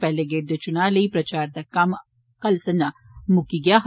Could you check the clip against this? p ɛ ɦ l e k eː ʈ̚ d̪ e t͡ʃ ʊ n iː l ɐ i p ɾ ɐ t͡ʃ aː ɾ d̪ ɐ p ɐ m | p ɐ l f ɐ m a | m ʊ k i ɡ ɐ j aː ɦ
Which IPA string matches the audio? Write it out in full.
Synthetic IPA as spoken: p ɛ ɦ l e ɡ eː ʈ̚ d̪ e t͡ʃ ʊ n aː l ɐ i p ɾ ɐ t͡ʃ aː ɾ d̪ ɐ k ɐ m | k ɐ l s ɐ n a | m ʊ k i ɡ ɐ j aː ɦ